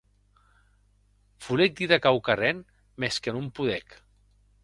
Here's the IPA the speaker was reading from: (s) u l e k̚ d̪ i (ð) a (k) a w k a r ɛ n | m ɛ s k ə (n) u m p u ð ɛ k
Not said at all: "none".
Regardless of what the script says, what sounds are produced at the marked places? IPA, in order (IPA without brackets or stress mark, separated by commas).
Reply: f, ð, k, n